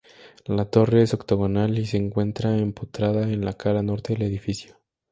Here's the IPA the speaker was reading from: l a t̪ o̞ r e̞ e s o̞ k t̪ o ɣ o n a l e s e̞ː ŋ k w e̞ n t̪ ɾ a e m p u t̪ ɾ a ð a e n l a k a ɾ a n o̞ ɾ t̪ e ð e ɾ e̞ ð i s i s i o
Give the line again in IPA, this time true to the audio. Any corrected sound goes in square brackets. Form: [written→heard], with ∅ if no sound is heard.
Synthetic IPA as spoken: l a t̪ o̞ r e̞ e s o̞ k t̪ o ɣ o n a l [e→i] s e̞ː ŋ k w e̞ n t̪ ɾ a e m p u t̪ ɾ a ð a e n l a k a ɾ a n o̞ ɾ t̪ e ð e [ɾ→l] e̞ ð i [s→f] i s [i→j] o

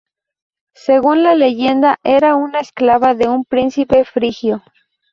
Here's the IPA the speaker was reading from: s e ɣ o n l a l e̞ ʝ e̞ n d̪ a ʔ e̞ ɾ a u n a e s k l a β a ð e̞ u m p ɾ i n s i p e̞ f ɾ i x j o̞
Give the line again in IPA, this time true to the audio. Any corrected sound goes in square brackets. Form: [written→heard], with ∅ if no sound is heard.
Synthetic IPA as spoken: s e ɣ [o→u] n l a l e̞ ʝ e̞ n d̪ a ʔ e̞ ɾ a u n a e s k l a β a ð e̞ u m p ɾ i n s i p e̞ f ɾ i x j o̞

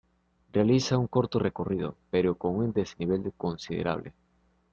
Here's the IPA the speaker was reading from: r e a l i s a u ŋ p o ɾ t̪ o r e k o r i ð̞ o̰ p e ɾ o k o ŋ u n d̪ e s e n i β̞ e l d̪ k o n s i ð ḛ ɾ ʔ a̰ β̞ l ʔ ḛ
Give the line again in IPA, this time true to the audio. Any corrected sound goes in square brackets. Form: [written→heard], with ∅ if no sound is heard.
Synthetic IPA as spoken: r e a l i s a u ŋ [p→k] o ɾ t̪ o r e k o r i ð̞ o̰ p e ɾ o k o ŋ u n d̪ e s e n i β̞ e l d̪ k o n s i ð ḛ ɾ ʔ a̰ β̞ l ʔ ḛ

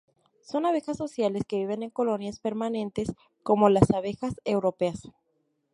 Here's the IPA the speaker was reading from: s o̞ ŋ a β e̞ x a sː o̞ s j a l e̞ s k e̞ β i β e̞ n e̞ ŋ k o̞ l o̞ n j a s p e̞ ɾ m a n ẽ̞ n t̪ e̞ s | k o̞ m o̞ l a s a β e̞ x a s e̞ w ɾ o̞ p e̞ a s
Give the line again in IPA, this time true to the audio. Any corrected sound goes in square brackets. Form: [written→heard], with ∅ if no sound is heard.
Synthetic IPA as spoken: s o̞ [ŋ→n] a β e̞ x a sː o̞ s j a l e̞ s k e̞ β i β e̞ n e̞ ŋ k o̞ l o̞ n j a s p e̞ ɾ m a n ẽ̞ n t̪ e̞ s | k o̞ m o̞ l a s a β e̞ x a s e̞ w ɾ o̞ p e̞ a s

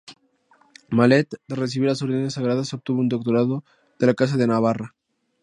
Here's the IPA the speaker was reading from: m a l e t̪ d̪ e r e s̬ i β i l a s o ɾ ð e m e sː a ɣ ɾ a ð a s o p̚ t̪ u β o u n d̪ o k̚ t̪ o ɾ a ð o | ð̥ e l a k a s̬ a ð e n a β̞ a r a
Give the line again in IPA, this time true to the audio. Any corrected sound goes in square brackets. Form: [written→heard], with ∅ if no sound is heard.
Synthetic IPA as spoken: m a l e t̪ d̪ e r e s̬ i β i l a s o ɾ ð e [m→n] e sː a ɣ ɾ a ð a s o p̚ t̪ u β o u n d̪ o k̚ t̪ o ɾ a ð o | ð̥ e l a k a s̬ a ð e n a β̞ a r a

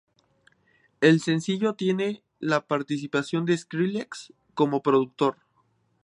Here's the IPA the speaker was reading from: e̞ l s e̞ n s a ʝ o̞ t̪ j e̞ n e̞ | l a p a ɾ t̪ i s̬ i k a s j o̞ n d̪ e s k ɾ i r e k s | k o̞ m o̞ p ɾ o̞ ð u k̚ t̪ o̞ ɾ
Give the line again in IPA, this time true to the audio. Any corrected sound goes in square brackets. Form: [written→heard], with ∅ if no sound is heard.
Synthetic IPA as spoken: e̞ l s e̞ n s [a→i] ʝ o̞ t̪ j e̞ n e̞ | l a p a ɾ t̪ i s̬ i [k→p] a s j o̞ n d̪ e s k ɾ i [r→l] e k s | k o̞ m o̞ p ɾ o̞ ð u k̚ t̪ o̞ ɾ

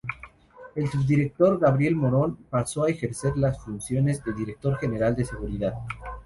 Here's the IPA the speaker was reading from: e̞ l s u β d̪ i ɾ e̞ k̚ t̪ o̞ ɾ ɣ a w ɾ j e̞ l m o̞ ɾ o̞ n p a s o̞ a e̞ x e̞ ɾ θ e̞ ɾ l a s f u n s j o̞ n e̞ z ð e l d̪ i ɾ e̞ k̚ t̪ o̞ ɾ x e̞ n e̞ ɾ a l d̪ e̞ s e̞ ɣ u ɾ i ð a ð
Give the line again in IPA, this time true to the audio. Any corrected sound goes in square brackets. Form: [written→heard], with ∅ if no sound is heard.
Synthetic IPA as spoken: e̞ l s u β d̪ i ɾ e̞ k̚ t̪ o̞ ɾ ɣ a [w→β] ɾ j e̞ l m o̞ ɾ o̞ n p a s o̞ a e̞ x e̞ ɾ [θ→s] e̞ ɾ l a s f u n s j o̞ n e̞ z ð e l d̪ i ɾ e̞ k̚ t̪ o̞ ɾ x e̞ n e̞ ɾ a l d̪ e̞ s e̞ ɣ u ɾ i ð a ð

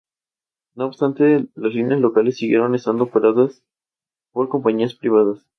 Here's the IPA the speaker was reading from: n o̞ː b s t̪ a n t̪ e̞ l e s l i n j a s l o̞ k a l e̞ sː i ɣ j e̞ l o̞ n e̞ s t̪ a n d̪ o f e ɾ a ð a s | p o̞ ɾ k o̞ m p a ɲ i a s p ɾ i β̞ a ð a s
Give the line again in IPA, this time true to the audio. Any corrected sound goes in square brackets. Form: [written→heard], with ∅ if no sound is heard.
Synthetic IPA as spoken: n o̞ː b s t̪ a n t̪ e̞ l [e→a] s l i n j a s l o̞ k a l e̞ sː i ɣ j e̞ [l→ɾ] o̞ n e̞ s t̪ a n d̪ o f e ɾ a ð a s | p o̞ ɾ k o̞ m p a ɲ i a s p ɾ i β̞ a ð a s

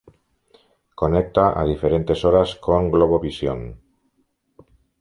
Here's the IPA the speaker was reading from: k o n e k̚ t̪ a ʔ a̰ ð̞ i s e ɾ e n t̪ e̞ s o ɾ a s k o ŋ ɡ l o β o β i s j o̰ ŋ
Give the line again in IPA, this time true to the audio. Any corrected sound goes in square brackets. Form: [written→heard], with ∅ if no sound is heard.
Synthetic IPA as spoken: k o n e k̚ t̪ a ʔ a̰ ð̞ i [s→f] e ɾ e n t̪ e̞ s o ɾ a s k o ŋ ɡ l o β o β i s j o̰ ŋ

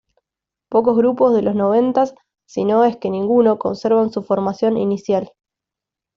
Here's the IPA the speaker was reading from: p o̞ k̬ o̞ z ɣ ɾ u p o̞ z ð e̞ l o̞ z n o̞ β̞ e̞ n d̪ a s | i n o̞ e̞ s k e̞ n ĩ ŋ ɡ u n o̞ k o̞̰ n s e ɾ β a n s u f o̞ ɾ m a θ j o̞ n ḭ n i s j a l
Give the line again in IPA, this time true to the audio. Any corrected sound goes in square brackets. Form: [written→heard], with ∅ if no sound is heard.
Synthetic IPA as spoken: p o̞ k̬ o̞ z ɣ ɾ u p o̞ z ð e̞ l o̞ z n o̞ β̞ e̞ n [d̪→t̪] a [s→sː] | i n o̞ e̞ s k e̞ n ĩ ŋ ɡ u n o̞ k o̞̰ n s e ɾ β a n s u f o̞ ɾ m a [θ→s] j o̞ n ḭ n i s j a l

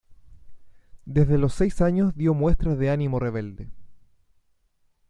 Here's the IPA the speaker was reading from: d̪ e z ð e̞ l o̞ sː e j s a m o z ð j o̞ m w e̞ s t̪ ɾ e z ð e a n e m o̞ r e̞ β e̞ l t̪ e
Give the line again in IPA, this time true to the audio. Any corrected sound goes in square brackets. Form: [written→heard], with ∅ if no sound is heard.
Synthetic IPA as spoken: d̪ e z ð e̞ l o̞ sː e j s a [m→ɲ] o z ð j o̞ m w e̞ s t̪ ɾ [e→a] z ð e a n [e→i] m o̞ r e̞ β e̞ l [t̪→d̪] e

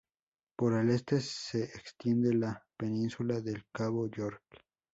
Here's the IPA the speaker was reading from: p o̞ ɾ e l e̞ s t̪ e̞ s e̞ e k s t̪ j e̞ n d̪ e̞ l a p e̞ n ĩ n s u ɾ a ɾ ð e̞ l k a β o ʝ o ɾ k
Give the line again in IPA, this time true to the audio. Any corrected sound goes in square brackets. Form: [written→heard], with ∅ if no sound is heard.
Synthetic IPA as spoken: p o̞ ɾ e l e̞ s t̪ e̞ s e̞ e k s t̪ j e̞ n d̪ e̞ l a p e̞ n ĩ n s u [ɾ→l] a [ɾ→∅] ð e̞ l k a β o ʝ o ɾ k

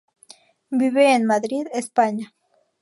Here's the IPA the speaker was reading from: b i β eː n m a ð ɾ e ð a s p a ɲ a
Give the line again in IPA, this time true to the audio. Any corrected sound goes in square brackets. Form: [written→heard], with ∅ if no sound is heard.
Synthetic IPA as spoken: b i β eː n m a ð ɾ [e→i] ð [a→e] s p a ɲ a

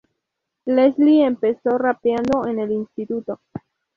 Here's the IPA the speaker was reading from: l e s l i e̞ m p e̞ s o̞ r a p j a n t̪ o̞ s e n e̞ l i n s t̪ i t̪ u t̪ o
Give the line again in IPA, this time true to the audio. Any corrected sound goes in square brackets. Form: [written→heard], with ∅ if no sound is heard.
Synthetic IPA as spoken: l e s l i e̞ m p e̞ s o̞ r a p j a n [t̪→d̪] o̞ [s→∅] e n e̞ l i n s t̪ i t̪ u t̪ o

